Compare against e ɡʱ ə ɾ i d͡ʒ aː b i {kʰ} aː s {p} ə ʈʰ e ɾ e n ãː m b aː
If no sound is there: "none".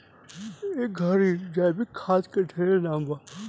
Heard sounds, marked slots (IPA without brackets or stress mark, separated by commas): kʰ, k